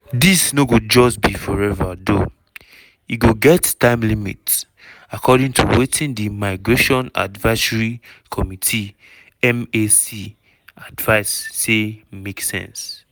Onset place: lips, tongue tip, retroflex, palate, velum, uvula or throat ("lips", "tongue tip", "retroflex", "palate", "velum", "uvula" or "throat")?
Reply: tongue tip